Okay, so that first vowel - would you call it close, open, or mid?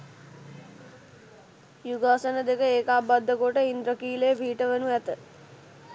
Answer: close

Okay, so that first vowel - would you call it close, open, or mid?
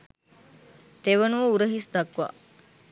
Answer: mid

